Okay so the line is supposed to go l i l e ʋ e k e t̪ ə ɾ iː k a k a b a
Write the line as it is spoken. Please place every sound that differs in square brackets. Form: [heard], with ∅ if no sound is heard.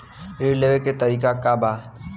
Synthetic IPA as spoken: [ɾ] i l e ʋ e k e t̪ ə ɾ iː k a k a b a